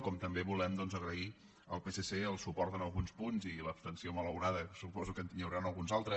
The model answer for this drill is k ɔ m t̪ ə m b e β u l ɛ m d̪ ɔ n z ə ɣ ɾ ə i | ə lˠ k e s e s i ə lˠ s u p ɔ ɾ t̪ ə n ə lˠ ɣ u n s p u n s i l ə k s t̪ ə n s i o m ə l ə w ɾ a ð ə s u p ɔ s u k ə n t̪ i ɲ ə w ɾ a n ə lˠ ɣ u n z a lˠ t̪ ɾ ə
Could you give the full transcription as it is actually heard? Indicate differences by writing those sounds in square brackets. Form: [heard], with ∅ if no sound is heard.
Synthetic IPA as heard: k ɔ m t̪ ə m b e β u l ɛ m d̪ ɔ n z ə ɣ ɾ ə i | ə lˠ [p] e s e s [e] ə lˠ s u p ɔ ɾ t̪ ə n ə lˠ ɣ u n s p u n [z] i l ə [p] s t̪ ə n s i o m ə l ə w ɾ a ð ə s u p ɔ [z] u k ə n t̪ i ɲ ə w ɾ a n ə lˠ ɣ u n z a lˠ t̪ ɾ ə

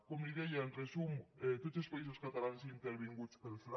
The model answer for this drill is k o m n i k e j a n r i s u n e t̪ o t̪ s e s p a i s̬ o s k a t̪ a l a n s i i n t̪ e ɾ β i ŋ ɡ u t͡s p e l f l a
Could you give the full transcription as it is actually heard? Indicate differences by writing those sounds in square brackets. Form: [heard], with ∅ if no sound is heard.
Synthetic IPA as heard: k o m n i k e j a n r [e] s u [m] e t̪ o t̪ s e s p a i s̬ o s k a t̪ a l a n s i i n t̪ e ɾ β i ŋ ɡ u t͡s p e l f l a

